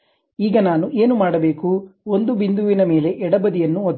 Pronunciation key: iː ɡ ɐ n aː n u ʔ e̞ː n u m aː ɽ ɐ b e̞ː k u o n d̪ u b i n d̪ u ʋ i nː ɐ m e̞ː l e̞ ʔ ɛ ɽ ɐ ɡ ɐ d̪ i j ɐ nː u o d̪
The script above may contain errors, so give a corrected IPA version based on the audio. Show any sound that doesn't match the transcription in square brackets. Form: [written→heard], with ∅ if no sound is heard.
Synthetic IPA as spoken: iː ɡ ɐ n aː n u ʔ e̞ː n u m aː ɽ ɐ b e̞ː k u o n d̪ u b i n d̪ u ʋ i [nː→n] ɐ m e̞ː l e̞ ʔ ɛ ɽ ɐ [ɡ→b] ɐ d̪ i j ɐ nː u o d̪